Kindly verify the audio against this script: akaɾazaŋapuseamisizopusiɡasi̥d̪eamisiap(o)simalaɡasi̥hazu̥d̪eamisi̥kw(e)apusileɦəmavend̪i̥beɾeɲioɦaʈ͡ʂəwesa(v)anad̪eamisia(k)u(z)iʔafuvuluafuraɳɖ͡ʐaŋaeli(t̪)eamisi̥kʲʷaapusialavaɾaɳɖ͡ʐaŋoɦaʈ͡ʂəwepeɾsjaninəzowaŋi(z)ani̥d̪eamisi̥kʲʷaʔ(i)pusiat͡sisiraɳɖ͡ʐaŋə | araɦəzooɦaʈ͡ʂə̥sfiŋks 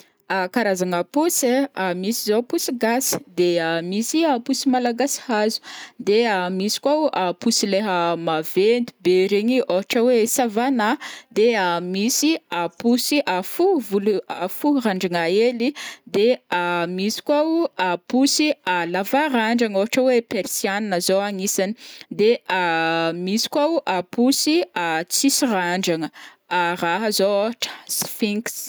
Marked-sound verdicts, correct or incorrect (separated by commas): incorrect, incorrect, correct, incorrect, incorrect, incorrect, incorrect, incorrect